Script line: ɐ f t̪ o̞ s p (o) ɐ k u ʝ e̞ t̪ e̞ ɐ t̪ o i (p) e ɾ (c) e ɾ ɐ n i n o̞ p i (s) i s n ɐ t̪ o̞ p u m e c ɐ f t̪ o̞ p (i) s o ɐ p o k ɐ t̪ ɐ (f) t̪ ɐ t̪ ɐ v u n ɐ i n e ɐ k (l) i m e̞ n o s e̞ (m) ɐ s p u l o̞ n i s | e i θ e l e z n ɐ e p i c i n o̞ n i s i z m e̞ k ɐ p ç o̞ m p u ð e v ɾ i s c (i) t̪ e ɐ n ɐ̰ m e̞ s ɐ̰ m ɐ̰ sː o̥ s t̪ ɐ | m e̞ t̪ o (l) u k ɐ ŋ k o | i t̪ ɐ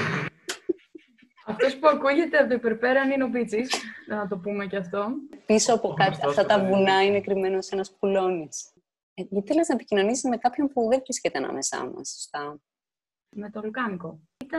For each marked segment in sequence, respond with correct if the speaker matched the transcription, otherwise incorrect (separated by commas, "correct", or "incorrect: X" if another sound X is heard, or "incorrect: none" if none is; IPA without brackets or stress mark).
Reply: incorrect: u, correct, incorrect: p, incorrect: t͡s, correct, correct, incorrect: ɾ, incorrect: n, incorrect: e, correct